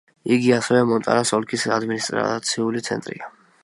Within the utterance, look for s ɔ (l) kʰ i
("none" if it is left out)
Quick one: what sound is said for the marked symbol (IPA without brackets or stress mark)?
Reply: l